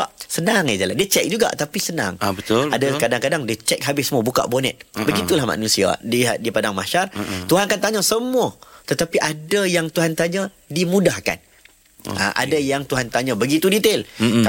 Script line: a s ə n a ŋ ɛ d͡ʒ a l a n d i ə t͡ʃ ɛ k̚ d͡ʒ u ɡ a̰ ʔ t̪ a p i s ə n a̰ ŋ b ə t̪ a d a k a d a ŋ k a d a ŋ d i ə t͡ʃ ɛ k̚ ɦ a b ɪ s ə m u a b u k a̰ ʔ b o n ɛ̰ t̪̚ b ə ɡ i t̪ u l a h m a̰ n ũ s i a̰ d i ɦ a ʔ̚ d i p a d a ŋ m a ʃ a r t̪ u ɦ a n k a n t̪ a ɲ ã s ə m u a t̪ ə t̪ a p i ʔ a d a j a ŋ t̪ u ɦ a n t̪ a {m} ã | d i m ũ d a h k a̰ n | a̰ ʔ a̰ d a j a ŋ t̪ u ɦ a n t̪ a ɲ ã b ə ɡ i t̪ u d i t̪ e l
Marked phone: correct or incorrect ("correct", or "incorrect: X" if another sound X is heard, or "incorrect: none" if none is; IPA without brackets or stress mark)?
incorrect: ɲ